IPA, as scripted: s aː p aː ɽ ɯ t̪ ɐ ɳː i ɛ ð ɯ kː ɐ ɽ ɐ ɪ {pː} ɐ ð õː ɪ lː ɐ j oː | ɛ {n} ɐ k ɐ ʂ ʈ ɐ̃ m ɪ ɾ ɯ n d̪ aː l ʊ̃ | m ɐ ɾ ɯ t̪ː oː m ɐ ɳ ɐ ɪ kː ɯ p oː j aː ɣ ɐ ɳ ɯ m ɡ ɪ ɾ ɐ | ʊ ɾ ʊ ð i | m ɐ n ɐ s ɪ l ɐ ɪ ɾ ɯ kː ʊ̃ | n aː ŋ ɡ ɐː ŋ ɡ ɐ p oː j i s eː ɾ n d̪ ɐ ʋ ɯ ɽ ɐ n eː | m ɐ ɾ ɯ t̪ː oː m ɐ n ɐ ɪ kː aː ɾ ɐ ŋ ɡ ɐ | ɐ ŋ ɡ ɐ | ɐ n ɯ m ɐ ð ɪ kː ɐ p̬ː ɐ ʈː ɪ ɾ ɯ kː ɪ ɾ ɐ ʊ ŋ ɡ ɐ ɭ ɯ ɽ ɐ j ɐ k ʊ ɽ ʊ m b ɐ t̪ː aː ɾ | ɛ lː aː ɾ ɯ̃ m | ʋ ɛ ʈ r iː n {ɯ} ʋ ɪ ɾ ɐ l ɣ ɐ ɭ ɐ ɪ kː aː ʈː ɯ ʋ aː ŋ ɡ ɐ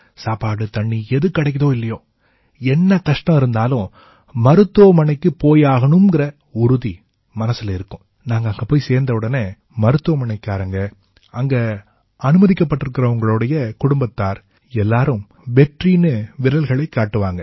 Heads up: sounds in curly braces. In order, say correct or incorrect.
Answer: incorrect, incorrect, correct

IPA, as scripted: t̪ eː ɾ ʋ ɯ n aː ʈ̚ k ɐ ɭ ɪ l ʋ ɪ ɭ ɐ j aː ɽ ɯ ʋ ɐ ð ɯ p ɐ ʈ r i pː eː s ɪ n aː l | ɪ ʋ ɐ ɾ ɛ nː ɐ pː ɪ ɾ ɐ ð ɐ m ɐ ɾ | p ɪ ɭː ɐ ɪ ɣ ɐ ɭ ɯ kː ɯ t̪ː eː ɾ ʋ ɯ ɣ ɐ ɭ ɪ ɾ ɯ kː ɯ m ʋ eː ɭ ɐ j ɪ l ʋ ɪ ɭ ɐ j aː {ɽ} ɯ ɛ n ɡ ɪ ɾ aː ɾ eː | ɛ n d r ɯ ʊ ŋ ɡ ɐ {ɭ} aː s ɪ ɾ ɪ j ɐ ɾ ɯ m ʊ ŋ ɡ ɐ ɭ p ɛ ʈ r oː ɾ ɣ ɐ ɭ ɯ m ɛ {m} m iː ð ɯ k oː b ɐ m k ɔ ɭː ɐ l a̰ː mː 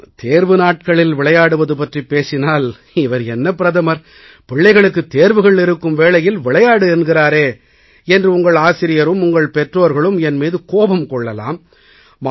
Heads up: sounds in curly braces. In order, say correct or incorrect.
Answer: correct, correct, incorrect

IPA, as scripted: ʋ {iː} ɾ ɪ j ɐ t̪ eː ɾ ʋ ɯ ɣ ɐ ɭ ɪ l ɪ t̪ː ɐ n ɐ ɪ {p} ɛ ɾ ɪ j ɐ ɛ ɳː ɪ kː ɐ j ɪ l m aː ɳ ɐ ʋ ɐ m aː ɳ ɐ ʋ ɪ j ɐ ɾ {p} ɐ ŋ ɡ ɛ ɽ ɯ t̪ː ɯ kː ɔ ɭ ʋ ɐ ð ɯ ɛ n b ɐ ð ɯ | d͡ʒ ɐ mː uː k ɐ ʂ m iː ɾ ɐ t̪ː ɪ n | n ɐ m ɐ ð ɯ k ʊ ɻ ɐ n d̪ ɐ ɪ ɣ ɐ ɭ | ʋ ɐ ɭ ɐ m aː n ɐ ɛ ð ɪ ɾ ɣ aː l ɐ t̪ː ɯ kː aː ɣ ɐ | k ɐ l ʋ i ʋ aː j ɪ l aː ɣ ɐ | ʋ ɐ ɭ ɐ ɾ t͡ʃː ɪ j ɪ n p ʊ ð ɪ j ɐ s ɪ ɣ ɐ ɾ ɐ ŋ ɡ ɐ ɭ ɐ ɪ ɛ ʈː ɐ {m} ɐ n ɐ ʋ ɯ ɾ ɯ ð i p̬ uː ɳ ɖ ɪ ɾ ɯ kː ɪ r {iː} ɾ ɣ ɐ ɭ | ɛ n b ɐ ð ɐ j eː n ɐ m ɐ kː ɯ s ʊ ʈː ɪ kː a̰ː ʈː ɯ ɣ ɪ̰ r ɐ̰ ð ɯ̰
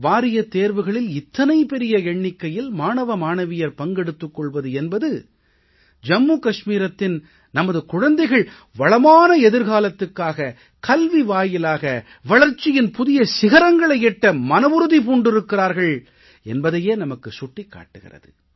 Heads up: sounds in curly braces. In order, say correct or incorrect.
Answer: incorrect, correct, correct, correct, incorrect

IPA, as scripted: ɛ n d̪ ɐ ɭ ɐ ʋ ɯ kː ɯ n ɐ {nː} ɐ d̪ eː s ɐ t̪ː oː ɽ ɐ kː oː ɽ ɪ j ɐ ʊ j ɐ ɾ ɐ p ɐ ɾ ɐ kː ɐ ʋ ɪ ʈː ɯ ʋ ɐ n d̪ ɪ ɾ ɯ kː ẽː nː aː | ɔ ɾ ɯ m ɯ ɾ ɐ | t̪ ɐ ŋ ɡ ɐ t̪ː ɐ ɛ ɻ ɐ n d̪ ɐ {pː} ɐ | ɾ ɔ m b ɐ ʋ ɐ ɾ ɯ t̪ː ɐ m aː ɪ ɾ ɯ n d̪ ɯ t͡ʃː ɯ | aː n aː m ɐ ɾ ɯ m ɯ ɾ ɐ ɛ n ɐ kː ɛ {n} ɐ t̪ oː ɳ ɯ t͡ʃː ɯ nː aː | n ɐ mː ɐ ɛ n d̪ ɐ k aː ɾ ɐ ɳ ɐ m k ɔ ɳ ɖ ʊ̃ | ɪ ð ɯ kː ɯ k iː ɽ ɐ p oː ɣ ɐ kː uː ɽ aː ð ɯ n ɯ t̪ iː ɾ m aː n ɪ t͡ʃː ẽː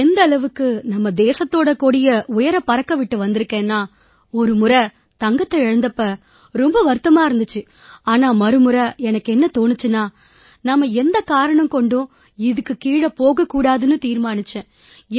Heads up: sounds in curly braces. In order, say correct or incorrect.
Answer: incorrect, correct, incorrect

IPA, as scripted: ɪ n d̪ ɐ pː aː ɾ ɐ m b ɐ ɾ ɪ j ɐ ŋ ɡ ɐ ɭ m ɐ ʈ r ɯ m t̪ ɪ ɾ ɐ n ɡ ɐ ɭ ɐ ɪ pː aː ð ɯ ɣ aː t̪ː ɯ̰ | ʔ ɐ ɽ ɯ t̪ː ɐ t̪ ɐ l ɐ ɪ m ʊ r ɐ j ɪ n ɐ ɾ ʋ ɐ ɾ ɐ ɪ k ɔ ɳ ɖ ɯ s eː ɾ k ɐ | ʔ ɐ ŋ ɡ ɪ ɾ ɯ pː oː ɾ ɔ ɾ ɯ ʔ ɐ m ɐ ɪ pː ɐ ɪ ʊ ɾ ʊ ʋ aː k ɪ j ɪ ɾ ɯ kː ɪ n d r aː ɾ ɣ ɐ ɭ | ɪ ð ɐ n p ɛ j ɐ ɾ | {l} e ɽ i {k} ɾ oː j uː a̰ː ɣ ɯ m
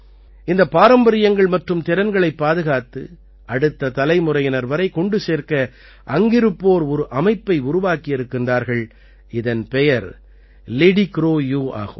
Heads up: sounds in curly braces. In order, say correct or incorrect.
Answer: correct, correct

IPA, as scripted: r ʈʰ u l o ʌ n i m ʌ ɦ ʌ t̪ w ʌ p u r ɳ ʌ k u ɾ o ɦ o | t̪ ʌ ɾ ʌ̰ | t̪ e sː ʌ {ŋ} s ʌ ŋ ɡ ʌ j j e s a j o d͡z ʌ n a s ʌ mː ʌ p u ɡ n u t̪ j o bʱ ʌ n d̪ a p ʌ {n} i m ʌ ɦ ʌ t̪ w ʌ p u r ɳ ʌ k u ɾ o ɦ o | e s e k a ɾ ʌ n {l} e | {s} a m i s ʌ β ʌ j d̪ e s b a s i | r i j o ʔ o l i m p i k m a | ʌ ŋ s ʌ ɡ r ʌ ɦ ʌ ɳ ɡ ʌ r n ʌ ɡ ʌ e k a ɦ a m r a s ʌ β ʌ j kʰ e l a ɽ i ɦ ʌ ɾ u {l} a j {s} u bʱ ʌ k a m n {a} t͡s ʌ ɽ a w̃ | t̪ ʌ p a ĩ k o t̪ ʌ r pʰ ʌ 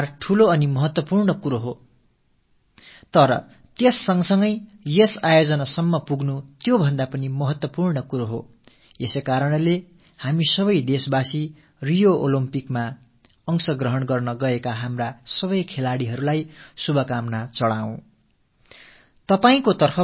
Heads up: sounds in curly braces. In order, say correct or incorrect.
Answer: correct, correct, correct, incorrect, correct, correct, correct

